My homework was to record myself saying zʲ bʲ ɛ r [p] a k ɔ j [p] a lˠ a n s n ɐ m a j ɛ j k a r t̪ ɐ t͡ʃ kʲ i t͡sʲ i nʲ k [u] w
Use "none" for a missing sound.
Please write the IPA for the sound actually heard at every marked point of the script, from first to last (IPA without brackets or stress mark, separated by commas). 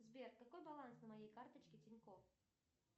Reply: k, b, ɔ